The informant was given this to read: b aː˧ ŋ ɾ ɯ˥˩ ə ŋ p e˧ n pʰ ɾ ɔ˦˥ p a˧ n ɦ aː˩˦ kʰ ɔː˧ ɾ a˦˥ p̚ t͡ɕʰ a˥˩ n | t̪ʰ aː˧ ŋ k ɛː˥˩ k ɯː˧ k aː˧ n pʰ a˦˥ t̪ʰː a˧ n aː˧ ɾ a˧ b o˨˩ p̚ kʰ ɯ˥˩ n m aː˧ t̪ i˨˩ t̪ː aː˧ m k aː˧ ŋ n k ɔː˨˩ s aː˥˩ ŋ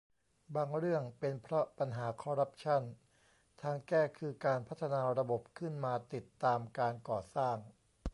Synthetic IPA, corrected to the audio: b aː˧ ŋ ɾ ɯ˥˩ ə ŋ p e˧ n pʰ ɾ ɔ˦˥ p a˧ n ɦ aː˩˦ kʰ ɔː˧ ɾ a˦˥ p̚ t͡ɕʰ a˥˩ n | t̪ʰ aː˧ ŋ k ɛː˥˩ kʰ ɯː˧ k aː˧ n pʰ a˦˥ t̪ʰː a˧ n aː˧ ɾ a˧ b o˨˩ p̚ kʰ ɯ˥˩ n m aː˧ t̪ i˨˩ t̪ː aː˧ m k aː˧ n k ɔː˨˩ s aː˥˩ ŋ